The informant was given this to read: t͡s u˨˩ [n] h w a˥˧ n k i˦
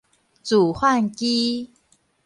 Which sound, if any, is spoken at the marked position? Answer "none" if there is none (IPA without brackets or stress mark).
none